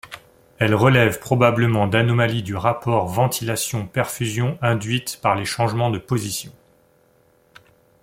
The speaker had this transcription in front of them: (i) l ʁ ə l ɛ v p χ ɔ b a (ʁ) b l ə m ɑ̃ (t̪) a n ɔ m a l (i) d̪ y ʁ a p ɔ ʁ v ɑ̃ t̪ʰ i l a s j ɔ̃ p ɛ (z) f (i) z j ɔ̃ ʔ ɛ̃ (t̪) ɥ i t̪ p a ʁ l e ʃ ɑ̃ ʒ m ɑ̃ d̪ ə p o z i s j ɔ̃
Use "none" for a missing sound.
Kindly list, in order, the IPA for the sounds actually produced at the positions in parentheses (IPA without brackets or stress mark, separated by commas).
ɛ, none, d̪, i, ʁ, y, d̪